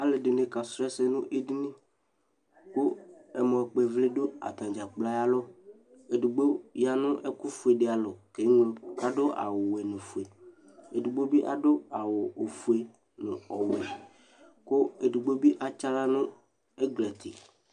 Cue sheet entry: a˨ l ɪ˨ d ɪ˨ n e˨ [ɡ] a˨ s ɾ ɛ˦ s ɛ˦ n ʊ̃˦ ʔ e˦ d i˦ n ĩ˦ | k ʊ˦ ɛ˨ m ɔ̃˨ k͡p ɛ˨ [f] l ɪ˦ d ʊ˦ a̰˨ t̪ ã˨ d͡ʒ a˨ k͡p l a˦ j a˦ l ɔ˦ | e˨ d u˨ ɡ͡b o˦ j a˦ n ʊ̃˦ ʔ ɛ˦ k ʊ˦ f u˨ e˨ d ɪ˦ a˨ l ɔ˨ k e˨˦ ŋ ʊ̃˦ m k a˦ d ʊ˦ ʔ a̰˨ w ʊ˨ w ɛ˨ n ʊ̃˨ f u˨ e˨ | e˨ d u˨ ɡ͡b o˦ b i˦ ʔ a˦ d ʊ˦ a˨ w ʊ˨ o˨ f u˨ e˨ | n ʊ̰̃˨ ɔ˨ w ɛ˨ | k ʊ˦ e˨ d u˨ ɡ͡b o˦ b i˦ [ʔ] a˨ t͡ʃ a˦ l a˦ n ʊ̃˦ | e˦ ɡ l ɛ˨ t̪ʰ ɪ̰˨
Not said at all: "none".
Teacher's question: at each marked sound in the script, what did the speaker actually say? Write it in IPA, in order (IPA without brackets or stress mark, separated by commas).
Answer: k, v, ʔ